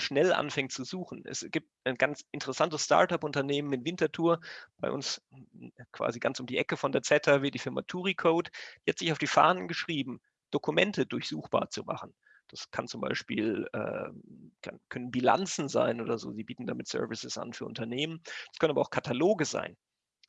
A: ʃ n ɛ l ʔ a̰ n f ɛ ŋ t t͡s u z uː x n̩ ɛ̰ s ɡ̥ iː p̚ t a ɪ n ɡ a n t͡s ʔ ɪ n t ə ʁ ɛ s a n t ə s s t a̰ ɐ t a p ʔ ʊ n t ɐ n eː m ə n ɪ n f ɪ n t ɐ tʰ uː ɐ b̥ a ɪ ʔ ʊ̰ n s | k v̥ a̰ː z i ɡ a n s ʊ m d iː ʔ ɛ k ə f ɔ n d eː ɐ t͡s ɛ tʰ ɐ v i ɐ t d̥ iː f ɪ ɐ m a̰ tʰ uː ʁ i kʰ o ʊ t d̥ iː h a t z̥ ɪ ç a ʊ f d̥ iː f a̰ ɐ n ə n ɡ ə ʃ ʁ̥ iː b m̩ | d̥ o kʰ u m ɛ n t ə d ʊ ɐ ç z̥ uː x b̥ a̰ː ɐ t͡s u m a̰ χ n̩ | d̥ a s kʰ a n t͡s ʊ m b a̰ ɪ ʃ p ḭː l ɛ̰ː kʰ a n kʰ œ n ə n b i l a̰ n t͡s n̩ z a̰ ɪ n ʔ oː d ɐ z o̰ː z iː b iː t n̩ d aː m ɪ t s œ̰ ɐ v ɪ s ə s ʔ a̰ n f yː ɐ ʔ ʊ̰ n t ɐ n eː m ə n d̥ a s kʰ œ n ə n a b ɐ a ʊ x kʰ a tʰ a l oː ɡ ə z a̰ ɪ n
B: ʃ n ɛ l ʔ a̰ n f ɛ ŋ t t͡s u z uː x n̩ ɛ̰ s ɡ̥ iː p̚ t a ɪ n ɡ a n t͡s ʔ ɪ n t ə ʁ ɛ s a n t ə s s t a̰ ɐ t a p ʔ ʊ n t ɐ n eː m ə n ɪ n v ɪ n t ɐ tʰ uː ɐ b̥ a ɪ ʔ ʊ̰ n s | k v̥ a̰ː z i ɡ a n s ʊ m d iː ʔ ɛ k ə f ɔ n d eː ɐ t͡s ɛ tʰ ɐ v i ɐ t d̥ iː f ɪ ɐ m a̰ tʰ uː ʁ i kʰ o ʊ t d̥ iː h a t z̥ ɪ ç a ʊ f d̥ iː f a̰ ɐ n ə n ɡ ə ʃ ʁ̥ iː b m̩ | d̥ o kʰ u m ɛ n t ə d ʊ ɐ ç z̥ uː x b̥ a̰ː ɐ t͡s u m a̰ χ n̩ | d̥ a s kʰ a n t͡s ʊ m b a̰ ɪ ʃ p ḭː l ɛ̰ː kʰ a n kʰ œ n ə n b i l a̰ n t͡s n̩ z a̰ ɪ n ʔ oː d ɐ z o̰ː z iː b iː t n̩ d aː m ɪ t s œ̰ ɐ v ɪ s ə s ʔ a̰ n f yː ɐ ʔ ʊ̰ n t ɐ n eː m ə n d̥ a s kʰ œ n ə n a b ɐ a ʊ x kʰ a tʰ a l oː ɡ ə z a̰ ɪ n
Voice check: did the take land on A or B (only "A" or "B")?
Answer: B